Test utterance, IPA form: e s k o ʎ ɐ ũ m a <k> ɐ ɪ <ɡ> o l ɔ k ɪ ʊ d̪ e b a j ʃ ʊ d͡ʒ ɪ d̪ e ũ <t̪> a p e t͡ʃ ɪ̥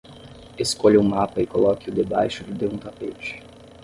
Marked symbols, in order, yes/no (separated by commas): no, no, yes